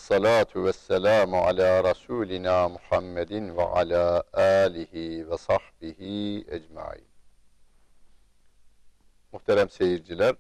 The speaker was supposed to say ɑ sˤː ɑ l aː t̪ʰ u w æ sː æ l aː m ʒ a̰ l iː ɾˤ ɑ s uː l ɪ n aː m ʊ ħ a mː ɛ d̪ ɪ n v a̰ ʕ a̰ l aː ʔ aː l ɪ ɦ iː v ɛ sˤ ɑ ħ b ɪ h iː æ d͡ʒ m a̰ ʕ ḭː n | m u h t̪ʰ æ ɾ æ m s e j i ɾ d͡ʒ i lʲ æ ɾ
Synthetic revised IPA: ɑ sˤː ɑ l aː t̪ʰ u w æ sː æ l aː m ʕ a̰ l aː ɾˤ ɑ s uː l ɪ n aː m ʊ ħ a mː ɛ d̪ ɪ n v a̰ ʕ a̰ l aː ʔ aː l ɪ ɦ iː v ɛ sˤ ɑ ħ b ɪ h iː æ d͡ʒ m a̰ ʕ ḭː n | m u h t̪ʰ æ ɾ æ m s e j i ɾ d͡ʒ i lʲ æ ɾ